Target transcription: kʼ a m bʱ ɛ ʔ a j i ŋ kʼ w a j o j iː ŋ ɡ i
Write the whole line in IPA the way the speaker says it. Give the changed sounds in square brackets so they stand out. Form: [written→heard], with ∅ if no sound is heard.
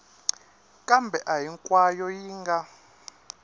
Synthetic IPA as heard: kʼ a m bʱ ɛ ʔ a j i ŋ kʼ w a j [o→ɔ] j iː ŋ ɡ [i→a]